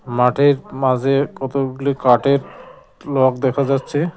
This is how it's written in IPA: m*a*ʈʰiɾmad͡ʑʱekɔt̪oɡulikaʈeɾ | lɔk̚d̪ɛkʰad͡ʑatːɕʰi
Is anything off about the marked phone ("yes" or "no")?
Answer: no